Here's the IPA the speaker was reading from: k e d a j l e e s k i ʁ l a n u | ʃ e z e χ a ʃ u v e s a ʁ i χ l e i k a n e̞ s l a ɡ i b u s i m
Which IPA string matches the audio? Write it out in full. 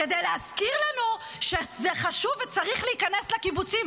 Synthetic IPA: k e d e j l e a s k i ʁ l a n u | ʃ e z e χ a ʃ u v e t͡s a ʁ i χ l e i k a n e̞ s l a k i b u t͡s i m